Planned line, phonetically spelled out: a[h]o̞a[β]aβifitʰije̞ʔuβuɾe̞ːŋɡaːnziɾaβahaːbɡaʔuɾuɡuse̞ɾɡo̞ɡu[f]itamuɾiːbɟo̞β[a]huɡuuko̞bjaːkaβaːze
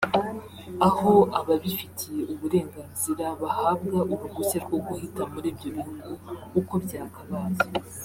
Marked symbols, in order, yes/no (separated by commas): yes, yes, no, no